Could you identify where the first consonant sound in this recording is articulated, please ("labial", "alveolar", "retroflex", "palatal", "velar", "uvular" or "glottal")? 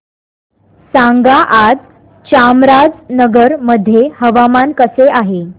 alveolar